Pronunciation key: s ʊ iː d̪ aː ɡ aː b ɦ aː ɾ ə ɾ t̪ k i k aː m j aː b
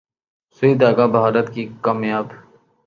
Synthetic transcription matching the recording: s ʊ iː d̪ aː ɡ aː b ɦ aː ɾ ə t̪ k i k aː m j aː b